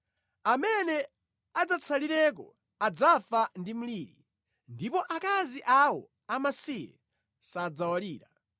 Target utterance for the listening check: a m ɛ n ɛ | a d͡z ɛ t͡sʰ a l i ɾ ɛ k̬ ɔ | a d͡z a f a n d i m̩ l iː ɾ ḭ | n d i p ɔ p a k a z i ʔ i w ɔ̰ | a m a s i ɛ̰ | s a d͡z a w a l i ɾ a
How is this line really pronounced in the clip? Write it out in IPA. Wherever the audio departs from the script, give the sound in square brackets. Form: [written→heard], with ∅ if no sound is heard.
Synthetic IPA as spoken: a m ɛ n ɛ | a d͡z [ɛ→a] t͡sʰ a l i ɾ ɛ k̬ ɔ | a d͡z a f a n d i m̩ l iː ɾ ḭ | n d i p ɔ [p→ʔ] a k a z i ʔ [i→a] w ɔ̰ | a m a s i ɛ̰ | s a d͡z a w a l [i→iː] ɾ a